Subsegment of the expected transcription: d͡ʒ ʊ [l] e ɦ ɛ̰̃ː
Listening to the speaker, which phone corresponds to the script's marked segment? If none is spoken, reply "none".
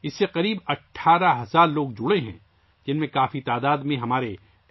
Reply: ɽ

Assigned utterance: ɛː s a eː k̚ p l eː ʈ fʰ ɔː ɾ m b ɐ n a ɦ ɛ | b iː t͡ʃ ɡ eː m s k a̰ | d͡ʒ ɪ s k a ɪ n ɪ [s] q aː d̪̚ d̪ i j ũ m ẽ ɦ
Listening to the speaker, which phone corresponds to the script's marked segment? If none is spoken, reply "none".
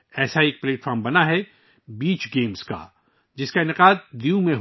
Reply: none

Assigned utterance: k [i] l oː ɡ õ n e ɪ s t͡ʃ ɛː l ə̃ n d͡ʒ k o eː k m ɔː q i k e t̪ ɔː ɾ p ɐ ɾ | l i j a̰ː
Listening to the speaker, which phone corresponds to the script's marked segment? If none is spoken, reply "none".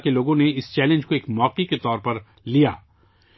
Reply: e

